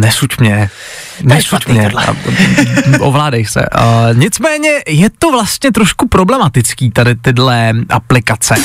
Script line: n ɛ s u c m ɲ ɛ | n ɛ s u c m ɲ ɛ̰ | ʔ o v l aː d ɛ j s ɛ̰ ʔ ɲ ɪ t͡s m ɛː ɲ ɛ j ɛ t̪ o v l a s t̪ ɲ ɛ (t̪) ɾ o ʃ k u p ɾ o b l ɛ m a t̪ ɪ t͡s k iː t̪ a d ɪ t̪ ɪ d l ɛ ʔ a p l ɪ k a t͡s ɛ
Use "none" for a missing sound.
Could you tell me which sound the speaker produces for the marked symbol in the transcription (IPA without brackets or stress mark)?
t̪